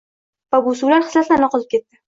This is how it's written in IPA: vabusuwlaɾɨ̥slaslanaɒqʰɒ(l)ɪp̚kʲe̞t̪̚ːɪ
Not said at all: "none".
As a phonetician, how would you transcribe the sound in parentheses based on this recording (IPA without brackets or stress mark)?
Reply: l